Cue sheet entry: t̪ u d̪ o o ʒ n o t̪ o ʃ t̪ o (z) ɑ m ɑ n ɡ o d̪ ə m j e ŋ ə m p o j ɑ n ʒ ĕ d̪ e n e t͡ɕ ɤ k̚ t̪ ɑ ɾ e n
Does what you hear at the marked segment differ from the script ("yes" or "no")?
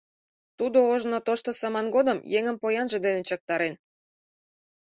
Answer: yes